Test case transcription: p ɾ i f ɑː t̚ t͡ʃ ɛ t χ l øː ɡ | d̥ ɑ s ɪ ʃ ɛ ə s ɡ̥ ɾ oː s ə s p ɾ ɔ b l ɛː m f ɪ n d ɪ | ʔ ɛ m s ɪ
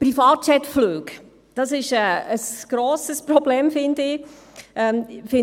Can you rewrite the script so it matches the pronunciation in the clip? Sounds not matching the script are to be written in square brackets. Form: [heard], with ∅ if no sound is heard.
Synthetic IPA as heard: p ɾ i f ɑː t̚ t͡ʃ ɛ t [f] l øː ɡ | d̥ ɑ s ɪ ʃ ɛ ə s ɡ̥ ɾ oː s ə s p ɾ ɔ b l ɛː m f ɪ n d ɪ | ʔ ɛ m [f] ɪ